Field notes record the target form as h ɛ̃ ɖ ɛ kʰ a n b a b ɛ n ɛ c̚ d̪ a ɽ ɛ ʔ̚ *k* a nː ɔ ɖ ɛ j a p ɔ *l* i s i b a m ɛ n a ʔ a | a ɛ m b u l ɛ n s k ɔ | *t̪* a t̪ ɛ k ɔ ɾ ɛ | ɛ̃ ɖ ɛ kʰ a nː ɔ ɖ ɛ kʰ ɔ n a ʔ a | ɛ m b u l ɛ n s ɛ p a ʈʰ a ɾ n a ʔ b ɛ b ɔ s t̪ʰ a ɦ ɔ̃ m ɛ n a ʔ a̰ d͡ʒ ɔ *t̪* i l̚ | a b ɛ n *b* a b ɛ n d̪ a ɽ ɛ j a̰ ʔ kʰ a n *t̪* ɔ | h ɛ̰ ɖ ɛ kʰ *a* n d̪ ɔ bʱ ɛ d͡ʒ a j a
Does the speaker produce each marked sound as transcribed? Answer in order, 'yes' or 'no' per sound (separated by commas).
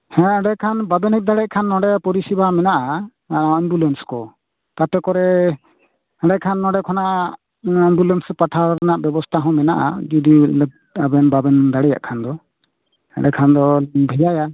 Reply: no, no, yes, no, yes, no, yes